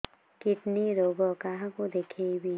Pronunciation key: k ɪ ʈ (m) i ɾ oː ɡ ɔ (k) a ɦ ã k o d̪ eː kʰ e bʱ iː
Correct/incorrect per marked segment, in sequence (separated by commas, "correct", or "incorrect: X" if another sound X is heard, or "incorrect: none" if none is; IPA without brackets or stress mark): incorrect: n, correct